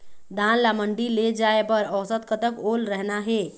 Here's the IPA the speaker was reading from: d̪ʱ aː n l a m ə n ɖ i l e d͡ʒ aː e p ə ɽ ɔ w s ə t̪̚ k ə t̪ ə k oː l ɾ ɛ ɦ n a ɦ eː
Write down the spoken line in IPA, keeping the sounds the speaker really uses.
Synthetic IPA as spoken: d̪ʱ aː n l a m ə ɳ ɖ i l e d͡ʒ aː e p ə ɾ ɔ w s ə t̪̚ k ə t̪ ə k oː l ɾ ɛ ɦ n a ɦ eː